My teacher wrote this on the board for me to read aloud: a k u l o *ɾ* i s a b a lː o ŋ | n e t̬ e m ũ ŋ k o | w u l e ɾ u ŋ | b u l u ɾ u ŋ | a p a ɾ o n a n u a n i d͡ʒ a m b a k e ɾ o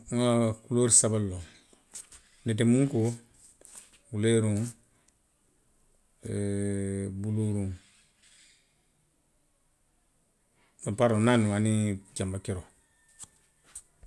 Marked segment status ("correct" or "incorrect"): correct